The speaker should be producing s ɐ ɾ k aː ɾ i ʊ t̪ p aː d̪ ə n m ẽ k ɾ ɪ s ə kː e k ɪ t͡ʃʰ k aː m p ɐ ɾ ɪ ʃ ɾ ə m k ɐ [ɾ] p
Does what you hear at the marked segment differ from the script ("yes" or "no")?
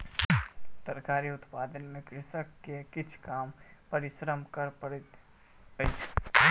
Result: no